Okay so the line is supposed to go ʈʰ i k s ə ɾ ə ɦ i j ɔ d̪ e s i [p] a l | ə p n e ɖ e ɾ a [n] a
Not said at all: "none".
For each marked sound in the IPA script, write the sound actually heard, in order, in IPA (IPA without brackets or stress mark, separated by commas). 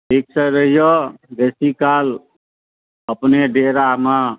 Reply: k, m